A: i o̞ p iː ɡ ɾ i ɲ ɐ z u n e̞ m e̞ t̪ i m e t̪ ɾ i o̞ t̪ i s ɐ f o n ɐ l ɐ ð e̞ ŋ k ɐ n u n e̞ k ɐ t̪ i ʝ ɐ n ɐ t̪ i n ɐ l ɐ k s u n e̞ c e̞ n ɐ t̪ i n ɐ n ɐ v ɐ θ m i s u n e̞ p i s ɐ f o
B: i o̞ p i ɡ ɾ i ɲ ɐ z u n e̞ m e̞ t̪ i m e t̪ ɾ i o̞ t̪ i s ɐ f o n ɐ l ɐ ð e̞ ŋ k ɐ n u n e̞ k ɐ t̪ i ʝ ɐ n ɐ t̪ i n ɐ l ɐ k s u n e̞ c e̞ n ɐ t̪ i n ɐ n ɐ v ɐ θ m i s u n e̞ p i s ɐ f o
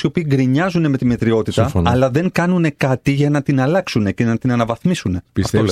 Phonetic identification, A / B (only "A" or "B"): A